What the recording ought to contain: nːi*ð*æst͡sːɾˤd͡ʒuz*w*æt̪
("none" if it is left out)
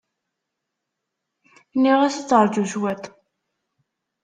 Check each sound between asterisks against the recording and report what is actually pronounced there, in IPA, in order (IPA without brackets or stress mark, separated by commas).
ʁ, w